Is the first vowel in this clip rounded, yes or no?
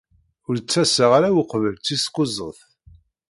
yes